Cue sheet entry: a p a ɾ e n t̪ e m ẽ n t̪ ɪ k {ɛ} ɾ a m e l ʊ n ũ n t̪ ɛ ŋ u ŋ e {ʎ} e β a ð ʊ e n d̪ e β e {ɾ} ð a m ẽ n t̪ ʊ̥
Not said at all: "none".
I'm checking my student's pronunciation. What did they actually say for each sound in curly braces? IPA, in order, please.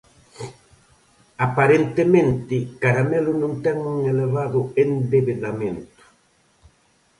a, l, none

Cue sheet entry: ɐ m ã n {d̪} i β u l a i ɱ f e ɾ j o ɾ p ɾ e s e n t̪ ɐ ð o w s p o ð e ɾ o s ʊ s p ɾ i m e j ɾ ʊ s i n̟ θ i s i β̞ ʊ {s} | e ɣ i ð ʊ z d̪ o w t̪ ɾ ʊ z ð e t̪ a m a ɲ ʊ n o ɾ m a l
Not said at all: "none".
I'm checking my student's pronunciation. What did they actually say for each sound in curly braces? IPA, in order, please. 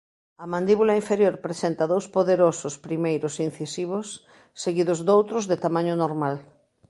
d̪, sː

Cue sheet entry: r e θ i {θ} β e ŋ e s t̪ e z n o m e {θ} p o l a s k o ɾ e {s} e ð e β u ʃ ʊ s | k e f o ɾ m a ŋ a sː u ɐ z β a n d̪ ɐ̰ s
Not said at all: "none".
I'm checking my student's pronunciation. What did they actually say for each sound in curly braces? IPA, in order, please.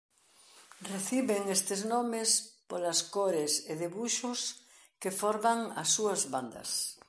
none, s, s

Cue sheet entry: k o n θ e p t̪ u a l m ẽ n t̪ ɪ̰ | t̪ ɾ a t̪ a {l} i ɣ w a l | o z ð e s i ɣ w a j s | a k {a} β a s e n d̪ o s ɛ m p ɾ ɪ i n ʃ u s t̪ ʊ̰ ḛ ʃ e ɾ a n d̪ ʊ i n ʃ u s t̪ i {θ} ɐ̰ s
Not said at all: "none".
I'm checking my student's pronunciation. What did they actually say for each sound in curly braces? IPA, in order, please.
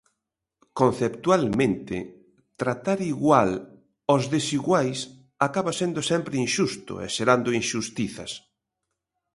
ɾ, a, θ

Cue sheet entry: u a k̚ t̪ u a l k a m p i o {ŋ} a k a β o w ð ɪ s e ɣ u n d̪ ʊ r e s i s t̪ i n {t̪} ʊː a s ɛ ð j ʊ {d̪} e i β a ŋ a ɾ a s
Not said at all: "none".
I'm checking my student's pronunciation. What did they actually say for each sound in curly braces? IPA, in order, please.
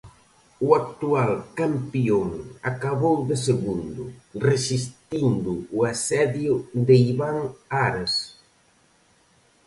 ŋ, d̪, d̪

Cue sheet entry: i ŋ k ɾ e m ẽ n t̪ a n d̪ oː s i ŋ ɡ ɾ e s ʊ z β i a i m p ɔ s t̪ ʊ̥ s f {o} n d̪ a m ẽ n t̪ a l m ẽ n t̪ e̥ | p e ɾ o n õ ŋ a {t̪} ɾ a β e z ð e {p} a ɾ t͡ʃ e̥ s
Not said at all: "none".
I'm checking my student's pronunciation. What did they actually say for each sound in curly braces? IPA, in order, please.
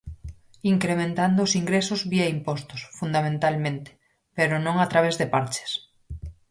u, t̪, p

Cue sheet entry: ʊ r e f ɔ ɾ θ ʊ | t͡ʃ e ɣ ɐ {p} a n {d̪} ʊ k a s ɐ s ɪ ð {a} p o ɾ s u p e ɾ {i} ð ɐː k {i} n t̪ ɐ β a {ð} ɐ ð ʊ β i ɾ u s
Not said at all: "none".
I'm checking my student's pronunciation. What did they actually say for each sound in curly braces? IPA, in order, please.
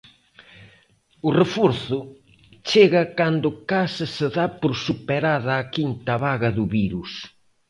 k, d̪, a, a, i, ɣ

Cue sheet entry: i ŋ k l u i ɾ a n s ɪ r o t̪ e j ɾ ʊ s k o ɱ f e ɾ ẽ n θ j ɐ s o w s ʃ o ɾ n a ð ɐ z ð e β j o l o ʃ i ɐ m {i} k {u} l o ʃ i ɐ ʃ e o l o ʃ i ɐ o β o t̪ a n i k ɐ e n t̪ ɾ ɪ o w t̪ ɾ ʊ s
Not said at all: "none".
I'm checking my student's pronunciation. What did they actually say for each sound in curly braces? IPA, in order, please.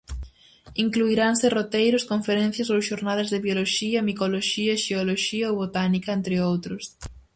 i, o

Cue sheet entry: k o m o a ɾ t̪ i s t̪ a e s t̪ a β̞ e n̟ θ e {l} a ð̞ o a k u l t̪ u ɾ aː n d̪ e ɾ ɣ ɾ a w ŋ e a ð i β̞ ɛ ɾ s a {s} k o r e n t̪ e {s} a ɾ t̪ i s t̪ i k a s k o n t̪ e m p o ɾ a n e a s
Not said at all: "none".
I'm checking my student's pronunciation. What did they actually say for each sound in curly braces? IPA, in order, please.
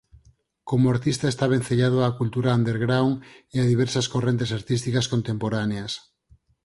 ʎ, s, s

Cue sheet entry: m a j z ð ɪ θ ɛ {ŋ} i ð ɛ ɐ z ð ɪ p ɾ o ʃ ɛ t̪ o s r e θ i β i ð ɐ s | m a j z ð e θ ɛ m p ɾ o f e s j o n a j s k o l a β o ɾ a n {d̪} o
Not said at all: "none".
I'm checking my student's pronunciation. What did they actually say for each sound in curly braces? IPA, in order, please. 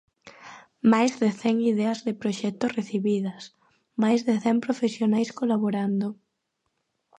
ŋ, d̪

